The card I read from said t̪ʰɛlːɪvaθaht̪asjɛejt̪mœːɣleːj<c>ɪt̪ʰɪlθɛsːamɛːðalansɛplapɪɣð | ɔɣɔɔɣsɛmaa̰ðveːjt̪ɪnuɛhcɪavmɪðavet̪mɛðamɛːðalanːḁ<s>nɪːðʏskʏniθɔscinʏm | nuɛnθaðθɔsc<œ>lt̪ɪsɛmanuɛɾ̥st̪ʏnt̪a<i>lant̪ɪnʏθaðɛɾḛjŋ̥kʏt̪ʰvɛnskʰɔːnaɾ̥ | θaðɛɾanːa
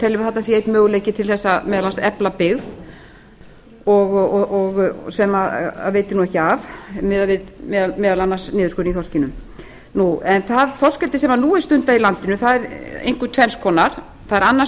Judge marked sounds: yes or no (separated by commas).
yes, yes, no, yes